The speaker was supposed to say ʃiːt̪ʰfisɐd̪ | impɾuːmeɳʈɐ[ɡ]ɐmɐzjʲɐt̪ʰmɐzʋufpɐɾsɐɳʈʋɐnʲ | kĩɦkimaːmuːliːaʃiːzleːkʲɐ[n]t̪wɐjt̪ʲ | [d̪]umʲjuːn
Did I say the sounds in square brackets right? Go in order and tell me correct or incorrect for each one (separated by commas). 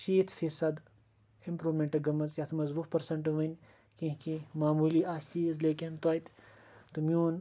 correct, correct, incorrect